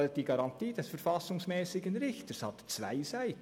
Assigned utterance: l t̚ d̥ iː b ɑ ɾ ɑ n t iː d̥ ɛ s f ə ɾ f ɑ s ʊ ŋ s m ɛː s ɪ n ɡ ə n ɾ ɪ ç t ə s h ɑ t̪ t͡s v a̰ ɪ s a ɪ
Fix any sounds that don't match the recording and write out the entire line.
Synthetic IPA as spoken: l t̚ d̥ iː ɡ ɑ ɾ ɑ n t iː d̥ ɛ s f ə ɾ f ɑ s ʊ ŋ s m ɛː s ɪ ɡ ə n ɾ ɪ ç t ə s h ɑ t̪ t͡s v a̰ ɪ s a ɪ